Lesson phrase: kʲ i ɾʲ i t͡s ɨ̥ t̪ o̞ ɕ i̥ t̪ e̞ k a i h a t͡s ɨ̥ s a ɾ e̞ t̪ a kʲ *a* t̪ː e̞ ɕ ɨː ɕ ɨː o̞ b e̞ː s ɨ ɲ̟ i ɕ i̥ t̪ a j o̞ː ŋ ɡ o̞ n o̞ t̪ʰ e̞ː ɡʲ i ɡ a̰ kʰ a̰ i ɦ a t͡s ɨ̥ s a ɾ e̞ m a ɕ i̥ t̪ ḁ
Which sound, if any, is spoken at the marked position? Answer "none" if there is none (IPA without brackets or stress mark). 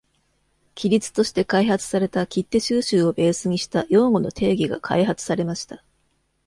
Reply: i